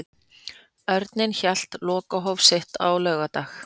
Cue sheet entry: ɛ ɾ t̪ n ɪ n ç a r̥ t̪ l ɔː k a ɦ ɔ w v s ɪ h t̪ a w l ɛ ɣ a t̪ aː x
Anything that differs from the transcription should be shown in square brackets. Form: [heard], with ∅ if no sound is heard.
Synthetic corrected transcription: [œ] ɾ t̪ n ɪ n ç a [l̥] t̪ l ɔː k a ɦ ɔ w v s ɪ h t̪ a w l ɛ ɣ a t̪ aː x